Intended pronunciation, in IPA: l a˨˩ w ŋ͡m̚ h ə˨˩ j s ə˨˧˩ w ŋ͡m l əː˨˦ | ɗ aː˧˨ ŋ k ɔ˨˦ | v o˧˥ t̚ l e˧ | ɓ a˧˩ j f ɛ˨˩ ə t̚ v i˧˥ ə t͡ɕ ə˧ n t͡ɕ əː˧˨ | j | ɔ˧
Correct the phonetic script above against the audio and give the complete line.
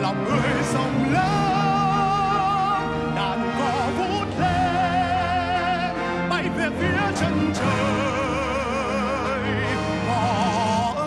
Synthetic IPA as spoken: l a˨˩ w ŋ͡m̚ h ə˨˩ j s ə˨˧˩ w ŋ͡m l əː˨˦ | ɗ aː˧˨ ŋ k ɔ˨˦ | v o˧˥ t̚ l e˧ | ɓ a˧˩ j v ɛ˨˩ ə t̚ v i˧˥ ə t͡ɕ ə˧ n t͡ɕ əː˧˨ | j | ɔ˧

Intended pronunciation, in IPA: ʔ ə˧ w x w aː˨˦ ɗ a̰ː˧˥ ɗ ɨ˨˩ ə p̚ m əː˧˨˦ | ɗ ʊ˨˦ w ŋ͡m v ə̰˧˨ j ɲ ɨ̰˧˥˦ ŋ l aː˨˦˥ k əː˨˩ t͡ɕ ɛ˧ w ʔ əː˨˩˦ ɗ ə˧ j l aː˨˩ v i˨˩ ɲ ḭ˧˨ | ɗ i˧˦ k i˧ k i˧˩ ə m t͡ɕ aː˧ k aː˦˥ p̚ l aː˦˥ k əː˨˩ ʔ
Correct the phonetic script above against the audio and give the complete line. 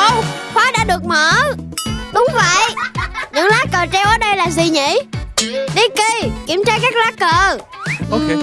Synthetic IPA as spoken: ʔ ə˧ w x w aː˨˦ ɗ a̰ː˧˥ ɗ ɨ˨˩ ə k̚ m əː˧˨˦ | ɗ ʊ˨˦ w ŋ͡m v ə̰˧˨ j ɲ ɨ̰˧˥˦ ŋ l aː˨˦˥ k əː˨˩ t͡ɕ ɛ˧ w ʔ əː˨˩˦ ɗ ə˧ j l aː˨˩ z i˨˩ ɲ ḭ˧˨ | ɗ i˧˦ k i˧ k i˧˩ ə m t͡ɕ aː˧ k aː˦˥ k̚ l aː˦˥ k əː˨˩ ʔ

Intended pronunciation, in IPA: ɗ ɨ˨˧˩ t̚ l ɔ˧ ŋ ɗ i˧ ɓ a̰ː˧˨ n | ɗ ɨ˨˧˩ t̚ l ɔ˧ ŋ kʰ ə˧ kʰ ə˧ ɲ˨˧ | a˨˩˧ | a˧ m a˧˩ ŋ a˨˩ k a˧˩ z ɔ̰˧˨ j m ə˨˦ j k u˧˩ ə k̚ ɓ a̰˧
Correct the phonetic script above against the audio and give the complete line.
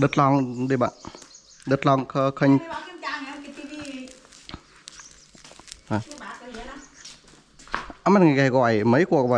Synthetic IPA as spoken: ɗ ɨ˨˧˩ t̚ l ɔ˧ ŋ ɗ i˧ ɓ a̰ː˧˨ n | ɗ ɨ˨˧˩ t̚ l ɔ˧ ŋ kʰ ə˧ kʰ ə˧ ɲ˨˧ | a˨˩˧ | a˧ m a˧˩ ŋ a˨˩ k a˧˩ ɣ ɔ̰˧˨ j m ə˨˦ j k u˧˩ ə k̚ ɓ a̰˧

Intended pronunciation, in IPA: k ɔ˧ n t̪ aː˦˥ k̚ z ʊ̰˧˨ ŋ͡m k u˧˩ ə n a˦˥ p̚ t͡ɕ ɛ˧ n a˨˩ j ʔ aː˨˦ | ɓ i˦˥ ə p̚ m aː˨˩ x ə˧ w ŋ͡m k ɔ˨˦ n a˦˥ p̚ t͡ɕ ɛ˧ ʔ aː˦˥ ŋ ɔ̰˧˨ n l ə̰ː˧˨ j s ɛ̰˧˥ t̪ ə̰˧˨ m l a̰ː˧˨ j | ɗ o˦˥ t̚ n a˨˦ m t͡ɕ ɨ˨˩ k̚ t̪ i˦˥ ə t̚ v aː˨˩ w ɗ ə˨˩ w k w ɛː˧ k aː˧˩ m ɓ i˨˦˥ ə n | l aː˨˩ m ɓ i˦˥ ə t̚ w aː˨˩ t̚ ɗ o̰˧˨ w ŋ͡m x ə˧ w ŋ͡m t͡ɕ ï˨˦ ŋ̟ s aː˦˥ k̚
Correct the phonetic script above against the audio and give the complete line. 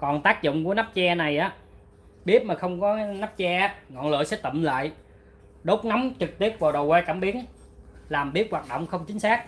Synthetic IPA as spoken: k ɔ˨˩ n t̪ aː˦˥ k̚ z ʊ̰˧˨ ŋ͡m k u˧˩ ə n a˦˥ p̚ t͡ɕ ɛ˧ n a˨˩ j ʔ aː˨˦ | ɓ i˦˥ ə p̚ m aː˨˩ x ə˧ w ŋ͡m k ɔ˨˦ n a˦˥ p̚ t͡ɕ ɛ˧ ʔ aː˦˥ ŋ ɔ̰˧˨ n l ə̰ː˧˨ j s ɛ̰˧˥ t̪ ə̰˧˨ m l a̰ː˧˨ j | ɗ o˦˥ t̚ n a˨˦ m t͡ɕ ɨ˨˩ k̚ t̪ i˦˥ ə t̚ v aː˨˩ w ɗ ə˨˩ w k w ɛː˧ k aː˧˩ m ɓ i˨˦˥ ə n | l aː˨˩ m ɓ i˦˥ ə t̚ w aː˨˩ t̚ ɗ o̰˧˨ w ŋ͡m x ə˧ w ŋ͡m t͡ɕ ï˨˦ ŋ̟ s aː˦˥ k̚

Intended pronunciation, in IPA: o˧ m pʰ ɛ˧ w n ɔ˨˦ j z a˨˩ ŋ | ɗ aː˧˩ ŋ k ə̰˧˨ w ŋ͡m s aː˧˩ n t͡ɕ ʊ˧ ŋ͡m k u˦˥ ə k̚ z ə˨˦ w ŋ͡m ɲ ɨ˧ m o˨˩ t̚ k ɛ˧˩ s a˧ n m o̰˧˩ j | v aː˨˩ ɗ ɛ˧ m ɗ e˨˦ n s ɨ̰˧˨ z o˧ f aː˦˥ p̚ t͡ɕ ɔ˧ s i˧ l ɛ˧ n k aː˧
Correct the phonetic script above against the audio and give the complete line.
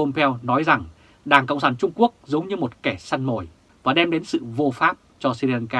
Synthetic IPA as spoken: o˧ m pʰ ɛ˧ w n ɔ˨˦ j z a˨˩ ŋ | ɗ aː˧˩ ŋ k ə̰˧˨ w ŋ͡m s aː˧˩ n t͡ɕ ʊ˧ ŋ͡m k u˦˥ ə k̚ z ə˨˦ w ŋ͡m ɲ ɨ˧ m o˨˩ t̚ k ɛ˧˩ s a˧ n m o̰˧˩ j | v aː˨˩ ɗ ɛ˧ m ɗ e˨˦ n s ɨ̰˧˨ v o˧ f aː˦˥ p̚ t͡ɕ ɔ˧ s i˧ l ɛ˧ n k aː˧

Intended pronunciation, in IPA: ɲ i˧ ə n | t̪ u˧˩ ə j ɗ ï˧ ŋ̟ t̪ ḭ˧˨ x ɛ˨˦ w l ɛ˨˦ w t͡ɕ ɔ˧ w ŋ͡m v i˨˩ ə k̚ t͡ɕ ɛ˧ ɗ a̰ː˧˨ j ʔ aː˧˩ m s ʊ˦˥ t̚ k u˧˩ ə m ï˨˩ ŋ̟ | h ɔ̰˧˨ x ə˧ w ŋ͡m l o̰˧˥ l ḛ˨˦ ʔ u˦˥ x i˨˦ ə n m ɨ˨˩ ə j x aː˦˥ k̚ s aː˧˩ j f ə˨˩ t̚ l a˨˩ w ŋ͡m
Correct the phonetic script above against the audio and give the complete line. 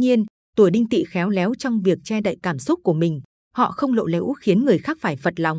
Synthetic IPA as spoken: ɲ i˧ ə n | t̪ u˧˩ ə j ɗ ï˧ ŋ̟ t̪ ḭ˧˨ x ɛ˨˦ w l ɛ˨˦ w t͡ɕ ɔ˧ w ŋ͡m v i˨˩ ə k̚ t͡ɕ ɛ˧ ɗ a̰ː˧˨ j k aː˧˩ m s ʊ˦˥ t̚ k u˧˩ ə m ï˨˩ ŋ̟ | h ɔ̰˧˨ x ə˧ w ŋ͡m l o̰˧˨ l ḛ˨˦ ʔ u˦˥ x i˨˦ ə n ŋ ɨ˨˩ ə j x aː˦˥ k̚ f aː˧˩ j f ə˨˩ t̚ l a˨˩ w ŋ͡m

